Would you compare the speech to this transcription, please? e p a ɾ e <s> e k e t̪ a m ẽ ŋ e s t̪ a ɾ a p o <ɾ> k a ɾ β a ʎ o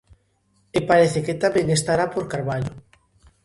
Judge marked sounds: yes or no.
no, yes

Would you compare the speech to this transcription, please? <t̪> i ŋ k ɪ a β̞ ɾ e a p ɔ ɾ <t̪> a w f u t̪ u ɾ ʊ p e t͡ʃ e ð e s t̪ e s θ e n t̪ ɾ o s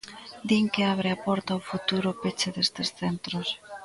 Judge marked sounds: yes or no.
no, yes

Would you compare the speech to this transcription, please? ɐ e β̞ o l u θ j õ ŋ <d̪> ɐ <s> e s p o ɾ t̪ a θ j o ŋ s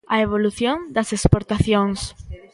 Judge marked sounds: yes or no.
yes, yes

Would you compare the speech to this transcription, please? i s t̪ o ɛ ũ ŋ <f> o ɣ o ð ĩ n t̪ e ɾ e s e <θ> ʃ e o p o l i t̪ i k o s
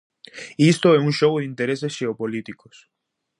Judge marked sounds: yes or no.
no, no

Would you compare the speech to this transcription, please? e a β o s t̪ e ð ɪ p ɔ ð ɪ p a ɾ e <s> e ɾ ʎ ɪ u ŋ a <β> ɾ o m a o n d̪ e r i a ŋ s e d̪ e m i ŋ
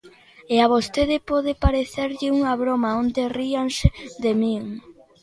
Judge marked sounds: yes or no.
no, yes

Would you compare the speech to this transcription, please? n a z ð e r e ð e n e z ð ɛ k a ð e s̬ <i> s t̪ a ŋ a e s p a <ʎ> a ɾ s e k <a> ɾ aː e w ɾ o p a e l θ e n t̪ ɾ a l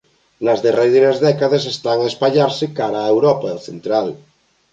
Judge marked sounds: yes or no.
no, yes, yes

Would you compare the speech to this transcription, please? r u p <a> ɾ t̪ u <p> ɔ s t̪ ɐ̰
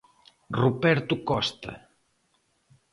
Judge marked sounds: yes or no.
no, no

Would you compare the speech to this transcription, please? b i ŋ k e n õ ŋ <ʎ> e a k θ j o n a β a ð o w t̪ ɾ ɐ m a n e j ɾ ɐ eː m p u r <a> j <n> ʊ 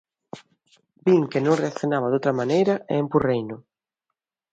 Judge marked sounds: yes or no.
no, no, yes

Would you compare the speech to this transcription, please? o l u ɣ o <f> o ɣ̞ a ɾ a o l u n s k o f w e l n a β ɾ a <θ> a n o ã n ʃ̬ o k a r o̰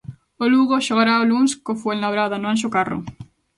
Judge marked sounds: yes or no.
no, no

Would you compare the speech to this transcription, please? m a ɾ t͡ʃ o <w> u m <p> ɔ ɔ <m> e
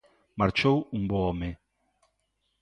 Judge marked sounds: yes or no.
yes, no, yes

